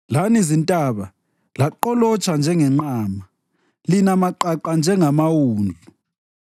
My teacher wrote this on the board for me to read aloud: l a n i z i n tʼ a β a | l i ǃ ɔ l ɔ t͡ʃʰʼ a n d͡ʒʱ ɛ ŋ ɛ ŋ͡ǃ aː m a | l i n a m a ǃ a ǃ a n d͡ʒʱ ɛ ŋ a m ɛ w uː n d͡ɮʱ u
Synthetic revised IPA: l a n i z i n tʼ a β a | l a ǃ ɔ l ɔ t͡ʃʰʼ a n d͡ʒʱ ɛ ŋ ɛ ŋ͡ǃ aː m a | l i n a m a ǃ a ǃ a n d͡ʒʱ ɛ ŋ a m a w uː n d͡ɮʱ u